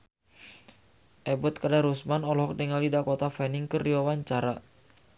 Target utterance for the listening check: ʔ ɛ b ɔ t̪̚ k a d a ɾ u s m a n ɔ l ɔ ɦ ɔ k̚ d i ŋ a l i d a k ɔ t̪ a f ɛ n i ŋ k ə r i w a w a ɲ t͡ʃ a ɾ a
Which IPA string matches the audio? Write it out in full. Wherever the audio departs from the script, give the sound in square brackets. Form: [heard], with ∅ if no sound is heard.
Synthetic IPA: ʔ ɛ b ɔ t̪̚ k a d a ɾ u s m a n ɔ l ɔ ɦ ɔ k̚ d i ŋ a l i d a k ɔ t̪ a f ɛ n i ŋ k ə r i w a w a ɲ t͡ʃ a ɾ a